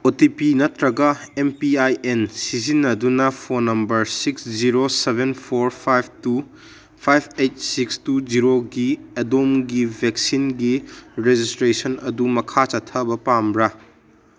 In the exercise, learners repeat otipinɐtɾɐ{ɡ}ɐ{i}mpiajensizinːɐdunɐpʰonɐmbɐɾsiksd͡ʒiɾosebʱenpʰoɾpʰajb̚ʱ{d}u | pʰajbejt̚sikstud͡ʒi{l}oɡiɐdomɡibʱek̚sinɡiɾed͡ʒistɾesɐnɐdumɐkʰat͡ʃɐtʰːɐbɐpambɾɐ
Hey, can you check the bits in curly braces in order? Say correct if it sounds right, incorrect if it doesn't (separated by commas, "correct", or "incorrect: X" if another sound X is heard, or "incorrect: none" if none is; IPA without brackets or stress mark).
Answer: correct, incorrect: e, incorrect: t, incorrect: ɾ